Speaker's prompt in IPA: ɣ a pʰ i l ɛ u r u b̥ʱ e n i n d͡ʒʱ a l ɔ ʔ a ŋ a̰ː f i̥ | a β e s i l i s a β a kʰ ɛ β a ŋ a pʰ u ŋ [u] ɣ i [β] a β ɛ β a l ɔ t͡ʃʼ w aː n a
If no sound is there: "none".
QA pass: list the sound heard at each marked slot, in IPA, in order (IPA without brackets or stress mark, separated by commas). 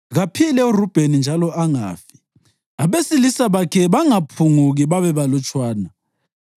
u, β